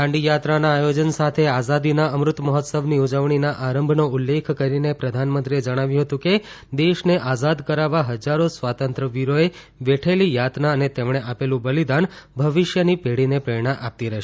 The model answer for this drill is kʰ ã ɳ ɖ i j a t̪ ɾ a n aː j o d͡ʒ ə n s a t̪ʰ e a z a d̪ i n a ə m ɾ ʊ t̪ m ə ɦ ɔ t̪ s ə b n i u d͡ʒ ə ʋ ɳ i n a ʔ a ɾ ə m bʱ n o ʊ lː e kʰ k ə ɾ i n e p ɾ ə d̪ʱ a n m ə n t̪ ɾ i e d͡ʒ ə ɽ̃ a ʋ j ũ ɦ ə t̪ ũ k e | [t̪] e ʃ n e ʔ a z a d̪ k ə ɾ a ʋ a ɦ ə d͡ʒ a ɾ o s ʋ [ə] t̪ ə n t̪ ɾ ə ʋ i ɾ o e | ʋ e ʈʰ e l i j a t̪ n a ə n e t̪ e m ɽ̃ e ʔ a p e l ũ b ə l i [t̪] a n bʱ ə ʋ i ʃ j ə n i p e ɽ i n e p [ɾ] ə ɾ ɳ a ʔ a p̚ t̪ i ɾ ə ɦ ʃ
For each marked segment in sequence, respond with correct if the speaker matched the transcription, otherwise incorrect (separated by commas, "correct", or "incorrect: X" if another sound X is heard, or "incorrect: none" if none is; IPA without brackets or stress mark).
incorrect: d̪, incorrect: a, incorrect: d̪, correct